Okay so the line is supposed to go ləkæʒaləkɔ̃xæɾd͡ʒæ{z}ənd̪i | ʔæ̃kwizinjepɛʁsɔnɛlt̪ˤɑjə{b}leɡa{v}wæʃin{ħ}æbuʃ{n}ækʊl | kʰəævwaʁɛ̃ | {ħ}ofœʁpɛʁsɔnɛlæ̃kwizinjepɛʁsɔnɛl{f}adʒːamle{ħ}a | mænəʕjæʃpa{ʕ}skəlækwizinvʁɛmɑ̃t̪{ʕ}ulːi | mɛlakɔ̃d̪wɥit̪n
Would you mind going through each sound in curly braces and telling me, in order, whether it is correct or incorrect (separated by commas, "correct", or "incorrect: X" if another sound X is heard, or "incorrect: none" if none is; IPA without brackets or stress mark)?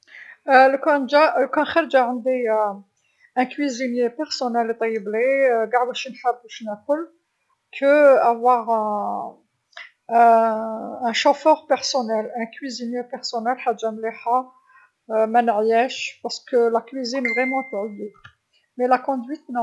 incorrect: ʕ, correct, incorrect: ʕ, correct, correct, incorrect: ʃ, incorrect: ħ, correct, incorrect: ʁ, correct